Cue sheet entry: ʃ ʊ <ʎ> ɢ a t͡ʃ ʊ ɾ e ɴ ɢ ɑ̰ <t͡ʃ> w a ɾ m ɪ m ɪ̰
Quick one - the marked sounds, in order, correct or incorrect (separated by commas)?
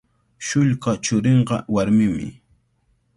correct, incorrect